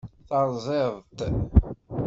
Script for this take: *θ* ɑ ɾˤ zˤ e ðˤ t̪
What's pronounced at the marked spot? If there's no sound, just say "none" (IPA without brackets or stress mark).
θ